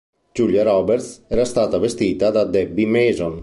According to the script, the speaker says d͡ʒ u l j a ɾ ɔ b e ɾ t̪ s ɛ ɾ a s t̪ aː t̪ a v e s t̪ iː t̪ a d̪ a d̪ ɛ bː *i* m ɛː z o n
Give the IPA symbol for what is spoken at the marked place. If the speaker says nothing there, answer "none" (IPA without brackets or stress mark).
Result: i